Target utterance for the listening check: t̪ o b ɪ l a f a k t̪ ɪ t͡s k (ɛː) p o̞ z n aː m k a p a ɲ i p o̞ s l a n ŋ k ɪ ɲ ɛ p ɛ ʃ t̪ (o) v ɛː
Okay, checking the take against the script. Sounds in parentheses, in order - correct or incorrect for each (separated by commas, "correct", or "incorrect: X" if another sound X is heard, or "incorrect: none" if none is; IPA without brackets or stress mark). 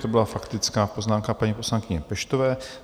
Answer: incorrect: aː, correct